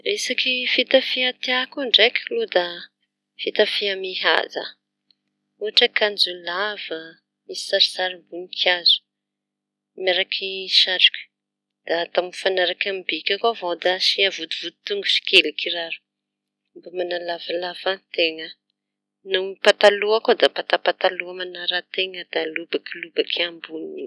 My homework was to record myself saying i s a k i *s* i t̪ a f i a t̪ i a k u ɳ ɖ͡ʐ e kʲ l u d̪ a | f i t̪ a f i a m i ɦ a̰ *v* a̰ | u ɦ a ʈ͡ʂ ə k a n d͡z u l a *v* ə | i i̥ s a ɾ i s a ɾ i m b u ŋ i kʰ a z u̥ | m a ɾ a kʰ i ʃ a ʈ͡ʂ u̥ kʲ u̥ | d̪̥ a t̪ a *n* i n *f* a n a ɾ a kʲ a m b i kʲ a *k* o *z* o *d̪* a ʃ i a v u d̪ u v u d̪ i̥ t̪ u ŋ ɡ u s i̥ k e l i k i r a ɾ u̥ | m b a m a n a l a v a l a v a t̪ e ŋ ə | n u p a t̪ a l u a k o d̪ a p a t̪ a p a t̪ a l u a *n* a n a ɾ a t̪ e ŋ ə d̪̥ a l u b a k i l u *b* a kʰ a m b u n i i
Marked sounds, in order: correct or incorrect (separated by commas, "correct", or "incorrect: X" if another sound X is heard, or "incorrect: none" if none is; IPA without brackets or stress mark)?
incorrect: f, incorrect: z, correct, incorrect: m, correct, correct, incorrect: v, correct, incorrect: m, correct